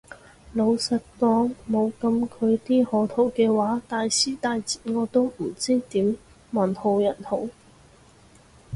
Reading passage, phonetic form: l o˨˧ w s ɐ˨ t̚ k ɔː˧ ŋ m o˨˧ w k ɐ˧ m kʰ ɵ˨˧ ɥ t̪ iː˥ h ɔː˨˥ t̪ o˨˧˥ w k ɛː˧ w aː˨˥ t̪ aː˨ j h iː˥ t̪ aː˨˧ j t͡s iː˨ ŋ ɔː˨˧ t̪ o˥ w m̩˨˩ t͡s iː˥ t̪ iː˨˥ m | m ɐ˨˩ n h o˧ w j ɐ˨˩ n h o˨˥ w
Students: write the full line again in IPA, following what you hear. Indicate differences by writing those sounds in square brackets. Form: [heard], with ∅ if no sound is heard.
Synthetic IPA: l o˨˧ w s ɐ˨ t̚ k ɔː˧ ŋ m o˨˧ w k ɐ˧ m kʰ ɵ˨˧ ɥ t̪ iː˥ h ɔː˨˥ [t̪ʰ] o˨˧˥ w k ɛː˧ w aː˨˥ t̪ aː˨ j [s] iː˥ t̪ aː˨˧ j t͡s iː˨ ŋ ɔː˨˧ t̪ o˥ w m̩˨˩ t͡s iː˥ t̪ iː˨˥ m | m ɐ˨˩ n h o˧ w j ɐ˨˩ n h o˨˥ w

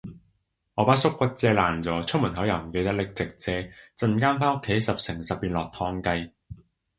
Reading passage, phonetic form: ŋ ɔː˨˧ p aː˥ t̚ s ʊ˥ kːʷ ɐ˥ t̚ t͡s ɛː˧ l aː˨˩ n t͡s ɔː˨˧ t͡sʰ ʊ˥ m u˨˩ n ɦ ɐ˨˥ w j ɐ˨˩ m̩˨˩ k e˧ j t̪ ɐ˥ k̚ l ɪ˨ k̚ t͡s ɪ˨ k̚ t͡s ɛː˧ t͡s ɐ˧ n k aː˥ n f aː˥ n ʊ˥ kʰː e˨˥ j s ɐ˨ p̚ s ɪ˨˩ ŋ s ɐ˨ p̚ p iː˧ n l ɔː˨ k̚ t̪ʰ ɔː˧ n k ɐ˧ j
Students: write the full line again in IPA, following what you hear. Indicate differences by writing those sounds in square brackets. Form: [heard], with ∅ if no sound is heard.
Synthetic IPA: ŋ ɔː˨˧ p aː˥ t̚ s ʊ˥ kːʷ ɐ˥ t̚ t͡s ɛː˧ l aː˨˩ n t͡s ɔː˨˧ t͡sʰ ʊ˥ m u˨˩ n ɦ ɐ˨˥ w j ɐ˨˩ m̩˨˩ k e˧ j t̪ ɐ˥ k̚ l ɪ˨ k̚ t͡s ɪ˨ k̚ t͡s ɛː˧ t͡s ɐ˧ n k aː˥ n f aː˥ n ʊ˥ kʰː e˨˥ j s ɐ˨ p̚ s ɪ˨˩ ŋ s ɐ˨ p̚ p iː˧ n l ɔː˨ k̚ t̪ʰ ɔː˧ [ŋ] k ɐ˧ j

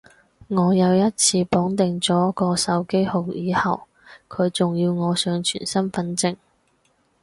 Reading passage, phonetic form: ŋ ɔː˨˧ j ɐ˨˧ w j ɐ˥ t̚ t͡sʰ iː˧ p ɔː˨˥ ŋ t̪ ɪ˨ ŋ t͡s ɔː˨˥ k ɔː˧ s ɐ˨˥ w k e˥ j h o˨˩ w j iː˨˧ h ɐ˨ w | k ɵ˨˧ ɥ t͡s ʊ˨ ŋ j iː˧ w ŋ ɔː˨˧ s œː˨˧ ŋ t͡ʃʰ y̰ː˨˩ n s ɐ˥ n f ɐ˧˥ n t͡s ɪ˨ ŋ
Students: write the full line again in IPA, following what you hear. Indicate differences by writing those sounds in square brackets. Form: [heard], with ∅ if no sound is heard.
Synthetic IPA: ŋ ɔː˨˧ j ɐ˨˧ w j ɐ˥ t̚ t͡sʰ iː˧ p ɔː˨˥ ŋ t̪ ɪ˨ ŋ t͡s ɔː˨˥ k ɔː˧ s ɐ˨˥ w k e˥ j h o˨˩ w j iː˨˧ h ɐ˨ w | [kʰ] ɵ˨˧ ɥ t͡s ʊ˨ ŋ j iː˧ w ŋ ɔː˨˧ s œː˨˧ ŋ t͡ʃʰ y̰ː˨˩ n s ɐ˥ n f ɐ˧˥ n t͡s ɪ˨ ŋ

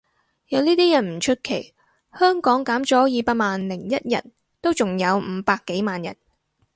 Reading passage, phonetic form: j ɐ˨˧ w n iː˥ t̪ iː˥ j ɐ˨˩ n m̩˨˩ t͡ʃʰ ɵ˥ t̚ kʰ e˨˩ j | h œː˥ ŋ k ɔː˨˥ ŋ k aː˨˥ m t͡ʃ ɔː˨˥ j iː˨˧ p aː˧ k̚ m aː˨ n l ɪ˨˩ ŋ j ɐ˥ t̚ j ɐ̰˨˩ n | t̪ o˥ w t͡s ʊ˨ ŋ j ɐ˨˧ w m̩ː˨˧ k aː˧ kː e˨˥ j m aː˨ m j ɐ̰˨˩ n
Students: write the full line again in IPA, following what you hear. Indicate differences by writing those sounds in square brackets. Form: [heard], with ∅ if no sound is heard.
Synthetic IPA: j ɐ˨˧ w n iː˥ t̪ iː˥ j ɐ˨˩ n m̩˨˩ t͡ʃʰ ɵ˥ t̚ kʰ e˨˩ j | h œː˥ ŋ k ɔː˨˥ ŋ k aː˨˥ m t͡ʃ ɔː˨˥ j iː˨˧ p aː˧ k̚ m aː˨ n l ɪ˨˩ ŋ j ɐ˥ t̚ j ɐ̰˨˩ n | t̪ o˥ w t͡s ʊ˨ ŋ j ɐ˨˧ w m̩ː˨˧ [p] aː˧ kː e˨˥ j m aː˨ [n] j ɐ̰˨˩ n

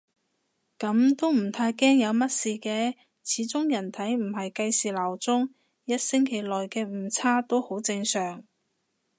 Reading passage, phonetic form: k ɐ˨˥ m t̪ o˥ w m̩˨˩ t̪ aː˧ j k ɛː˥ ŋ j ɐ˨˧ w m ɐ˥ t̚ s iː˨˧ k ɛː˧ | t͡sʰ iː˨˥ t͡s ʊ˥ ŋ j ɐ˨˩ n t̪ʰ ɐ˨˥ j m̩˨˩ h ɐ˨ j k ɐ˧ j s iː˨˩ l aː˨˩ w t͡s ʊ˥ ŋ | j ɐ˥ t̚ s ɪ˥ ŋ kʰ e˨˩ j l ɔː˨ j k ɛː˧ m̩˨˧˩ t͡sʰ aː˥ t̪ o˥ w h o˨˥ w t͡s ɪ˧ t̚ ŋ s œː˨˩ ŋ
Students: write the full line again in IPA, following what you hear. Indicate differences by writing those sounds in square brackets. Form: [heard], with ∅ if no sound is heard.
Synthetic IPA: k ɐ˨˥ m t̪ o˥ w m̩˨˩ [t̪ʰ] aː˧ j k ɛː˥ ŋ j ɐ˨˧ w m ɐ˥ t̚ s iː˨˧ k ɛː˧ | t͡sʰ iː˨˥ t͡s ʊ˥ ŋ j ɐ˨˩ n t̪ʰ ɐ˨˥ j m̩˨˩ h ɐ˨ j k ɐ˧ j s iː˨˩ l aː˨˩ w t͡s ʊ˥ ŋ | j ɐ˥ t̚ s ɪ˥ ŋ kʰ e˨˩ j l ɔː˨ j k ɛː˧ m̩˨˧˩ t͡sʰ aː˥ t̪ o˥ w h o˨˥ w t͡s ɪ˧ [∅] ŋ s œː˨˩ ŋ

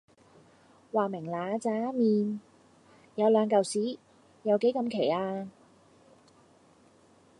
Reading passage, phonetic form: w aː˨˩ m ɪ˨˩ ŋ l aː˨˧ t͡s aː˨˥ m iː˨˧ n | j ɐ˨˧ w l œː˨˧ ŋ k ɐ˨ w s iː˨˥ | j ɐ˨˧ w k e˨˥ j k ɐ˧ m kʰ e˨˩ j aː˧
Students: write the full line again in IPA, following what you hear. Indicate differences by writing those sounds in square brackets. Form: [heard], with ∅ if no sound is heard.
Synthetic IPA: w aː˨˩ m ɪ˨˩ ŋ l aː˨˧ t͡s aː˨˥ m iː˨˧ n | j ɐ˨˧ w l œː˨˧ ŋ k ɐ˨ w s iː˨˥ | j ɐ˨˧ w k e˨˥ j k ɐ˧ m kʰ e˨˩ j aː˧

